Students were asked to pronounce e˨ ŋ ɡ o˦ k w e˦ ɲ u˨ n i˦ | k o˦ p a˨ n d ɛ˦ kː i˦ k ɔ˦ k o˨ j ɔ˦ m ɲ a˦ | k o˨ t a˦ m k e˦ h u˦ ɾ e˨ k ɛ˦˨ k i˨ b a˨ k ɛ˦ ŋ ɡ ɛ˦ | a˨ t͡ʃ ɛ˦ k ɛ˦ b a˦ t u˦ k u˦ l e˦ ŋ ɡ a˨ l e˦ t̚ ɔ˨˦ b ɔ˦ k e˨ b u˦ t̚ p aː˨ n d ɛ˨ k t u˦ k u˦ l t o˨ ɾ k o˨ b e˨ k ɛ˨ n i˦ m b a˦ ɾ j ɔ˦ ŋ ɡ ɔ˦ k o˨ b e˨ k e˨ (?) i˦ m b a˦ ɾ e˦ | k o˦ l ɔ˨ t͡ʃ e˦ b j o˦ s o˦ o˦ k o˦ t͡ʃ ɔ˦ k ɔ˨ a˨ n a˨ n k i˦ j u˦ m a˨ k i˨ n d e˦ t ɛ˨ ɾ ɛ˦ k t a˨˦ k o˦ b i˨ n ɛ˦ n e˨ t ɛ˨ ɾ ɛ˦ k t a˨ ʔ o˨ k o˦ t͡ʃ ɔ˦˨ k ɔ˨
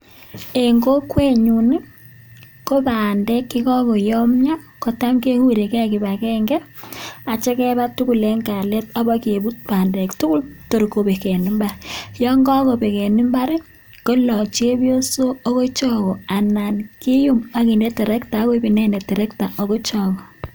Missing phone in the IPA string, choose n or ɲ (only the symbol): n